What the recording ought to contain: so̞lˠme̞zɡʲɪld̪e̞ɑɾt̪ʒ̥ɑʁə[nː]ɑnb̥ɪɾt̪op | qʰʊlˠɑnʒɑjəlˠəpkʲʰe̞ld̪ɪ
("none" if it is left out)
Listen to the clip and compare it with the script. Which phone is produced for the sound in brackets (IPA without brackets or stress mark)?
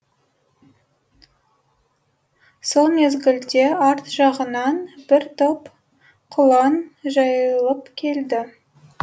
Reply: n